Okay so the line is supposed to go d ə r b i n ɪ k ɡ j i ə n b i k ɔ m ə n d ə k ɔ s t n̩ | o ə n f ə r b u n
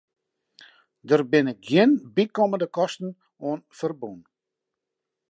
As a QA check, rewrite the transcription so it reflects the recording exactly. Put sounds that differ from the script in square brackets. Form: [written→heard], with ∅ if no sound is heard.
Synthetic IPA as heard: d ə r b [i→ɪ] n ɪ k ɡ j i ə n b i k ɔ m ə n d ə k ɔ s t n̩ | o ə n f ə r b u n

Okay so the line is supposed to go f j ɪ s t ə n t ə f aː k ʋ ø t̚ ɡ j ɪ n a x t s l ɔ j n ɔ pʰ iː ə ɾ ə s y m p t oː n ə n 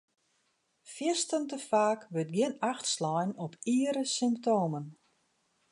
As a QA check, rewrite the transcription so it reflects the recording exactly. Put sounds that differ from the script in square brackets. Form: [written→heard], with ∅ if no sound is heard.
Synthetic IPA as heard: f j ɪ s t ə n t ə f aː k ʋ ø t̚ ɡ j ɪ n a x t s l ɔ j n ɔ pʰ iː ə ɾ ə s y m p t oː [n→m] ə n

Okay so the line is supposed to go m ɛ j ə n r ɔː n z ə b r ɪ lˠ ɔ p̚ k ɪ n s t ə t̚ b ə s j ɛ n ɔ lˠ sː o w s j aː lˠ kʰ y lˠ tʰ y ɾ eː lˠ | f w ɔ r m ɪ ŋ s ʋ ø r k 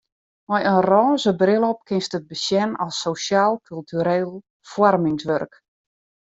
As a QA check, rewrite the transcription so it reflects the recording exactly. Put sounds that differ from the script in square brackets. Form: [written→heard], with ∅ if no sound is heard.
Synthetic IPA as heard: m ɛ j ə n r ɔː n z ə b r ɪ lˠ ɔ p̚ k ɪ n s t ə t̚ b ə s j ɛ n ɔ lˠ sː o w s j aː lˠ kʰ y lˠ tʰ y ɾ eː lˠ | f w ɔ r m ɪ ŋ s ʋ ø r k

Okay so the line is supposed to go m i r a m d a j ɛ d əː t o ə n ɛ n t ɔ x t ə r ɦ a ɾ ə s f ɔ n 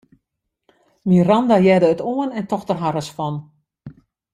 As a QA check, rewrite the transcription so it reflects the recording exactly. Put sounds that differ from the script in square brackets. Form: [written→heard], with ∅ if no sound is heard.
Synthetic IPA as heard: m i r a [m→n] d a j ɛ d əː t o ə n ɛ n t ɔ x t ə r ɦ a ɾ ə s f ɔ n

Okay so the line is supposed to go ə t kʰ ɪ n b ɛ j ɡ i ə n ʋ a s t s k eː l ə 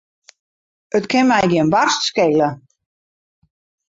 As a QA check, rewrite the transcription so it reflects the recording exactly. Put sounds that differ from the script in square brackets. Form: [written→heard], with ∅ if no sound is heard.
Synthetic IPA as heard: ə t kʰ ɪ n [b→m] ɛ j ɡ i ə n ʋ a s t s k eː l ə

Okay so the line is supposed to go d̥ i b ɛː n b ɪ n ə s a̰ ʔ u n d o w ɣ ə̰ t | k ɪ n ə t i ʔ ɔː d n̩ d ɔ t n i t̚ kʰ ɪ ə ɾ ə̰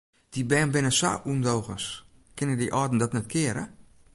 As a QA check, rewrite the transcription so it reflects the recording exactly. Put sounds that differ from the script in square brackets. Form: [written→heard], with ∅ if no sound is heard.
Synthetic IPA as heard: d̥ i b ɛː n b ɪ n ə s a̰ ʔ u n d o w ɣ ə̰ [t→s] | k ɪ n ə [t→d] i ʔ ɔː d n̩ d ɔ t n [i→ɛ] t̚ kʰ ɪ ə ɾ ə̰

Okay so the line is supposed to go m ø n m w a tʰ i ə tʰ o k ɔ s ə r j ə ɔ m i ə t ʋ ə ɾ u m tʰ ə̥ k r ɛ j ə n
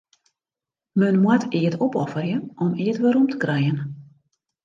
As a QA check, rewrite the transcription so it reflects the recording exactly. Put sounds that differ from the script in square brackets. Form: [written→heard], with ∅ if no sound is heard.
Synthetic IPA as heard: m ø n m w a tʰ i ə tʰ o [k→p] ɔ [s→f] ə r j ə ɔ m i ə t ʋ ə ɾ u m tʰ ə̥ k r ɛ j ə n

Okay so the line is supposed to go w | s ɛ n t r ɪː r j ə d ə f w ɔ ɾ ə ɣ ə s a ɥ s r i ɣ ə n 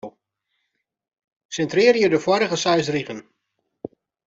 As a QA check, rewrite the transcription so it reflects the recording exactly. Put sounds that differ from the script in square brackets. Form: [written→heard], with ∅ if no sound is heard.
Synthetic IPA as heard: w | s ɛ n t r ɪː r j ə d ə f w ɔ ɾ ə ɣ ə s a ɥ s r i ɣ ə n

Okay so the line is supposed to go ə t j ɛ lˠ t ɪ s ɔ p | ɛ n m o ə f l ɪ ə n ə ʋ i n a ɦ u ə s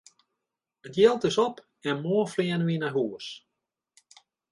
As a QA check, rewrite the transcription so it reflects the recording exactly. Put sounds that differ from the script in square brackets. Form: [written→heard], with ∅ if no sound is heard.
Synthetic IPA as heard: ə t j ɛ lˠ t ɪ s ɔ p | ɛ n m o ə f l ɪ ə n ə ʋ i n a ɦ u ə s

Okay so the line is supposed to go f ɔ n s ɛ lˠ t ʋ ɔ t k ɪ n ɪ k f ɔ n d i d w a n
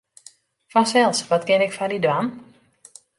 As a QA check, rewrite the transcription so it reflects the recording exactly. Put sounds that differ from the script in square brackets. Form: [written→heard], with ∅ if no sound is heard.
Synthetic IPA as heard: f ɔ n s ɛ lˠ [t→s] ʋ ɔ t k ɪ n ɪ k f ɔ n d i d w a n

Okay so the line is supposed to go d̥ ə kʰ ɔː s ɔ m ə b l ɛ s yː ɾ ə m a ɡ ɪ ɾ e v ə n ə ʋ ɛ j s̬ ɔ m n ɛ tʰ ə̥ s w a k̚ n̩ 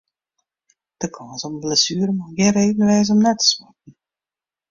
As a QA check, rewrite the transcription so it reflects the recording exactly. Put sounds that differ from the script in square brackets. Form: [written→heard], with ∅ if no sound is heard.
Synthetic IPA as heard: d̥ ə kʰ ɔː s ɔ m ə b l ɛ s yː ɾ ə m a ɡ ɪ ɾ e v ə n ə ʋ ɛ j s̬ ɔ m n ɛ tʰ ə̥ s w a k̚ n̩

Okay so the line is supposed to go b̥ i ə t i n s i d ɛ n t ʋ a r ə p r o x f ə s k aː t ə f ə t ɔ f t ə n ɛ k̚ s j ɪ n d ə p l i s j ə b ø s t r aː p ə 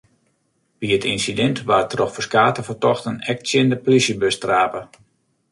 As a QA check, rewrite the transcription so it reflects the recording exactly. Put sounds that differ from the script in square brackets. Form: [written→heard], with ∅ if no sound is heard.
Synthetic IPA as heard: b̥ i ə t i n s i d ɛ n t ʋ a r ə [p→t] r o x f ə s k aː t ə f ə t ɔ [f→x] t ə n ɛ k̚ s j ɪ n d ə p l i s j ə b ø s t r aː p ə

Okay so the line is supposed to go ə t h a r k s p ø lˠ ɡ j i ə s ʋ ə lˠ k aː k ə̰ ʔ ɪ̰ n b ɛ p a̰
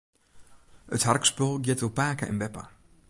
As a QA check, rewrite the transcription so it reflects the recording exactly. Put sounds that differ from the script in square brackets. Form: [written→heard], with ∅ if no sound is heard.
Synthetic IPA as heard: ə t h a r k s p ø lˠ ɡ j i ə [s→t] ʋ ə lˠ [k→p] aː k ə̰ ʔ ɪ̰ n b ɛ p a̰

